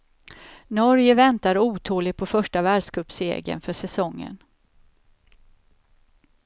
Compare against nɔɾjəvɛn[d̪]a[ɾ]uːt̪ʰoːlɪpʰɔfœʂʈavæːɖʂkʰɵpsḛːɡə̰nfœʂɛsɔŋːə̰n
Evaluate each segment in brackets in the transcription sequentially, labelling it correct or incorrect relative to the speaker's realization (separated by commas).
incorrect, correct